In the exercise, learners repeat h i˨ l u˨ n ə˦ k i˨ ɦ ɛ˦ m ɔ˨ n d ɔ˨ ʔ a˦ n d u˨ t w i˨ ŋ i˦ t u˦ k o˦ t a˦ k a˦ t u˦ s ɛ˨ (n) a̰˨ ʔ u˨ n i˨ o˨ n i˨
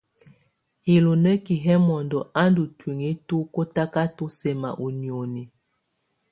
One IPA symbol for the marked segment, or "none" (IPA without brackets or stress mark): m